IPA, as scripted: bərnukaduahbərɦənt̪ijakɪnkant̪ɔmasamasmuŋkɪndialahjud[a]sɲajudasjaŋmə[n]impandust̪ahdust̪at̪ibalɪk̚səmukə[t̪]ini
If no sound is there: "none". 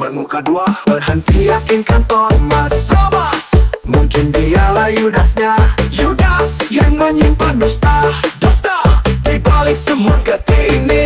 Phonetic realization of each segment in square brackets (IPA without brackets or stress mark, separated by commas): a, ɲ, t̪